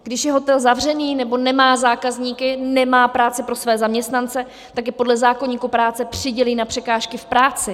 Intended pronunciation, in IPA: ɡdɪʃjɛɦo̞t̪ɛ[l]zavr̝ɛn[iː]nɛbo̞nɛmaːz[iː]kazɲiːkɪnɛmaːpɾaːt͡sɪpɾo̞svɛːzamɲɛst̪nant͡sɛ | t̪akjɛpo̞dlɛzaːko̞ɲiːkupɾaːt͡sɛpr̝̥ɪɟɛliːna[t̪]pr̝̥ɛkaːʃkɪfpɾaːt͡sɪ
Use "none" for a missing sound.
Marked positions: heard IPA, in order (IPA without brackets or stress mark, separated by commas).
l, iː, aː, none